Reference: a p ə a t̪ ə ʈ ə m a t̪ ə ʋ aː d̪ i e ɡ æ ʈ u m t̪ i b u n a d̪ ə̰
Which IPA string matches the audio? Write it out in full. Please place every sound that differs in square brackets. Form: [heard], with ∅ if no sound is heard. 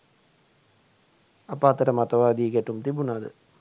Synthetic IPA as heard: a p ə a t̪ ə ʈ ə m a t̪ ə ʋ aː d̪ i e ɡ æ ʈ u m t̪ i b u n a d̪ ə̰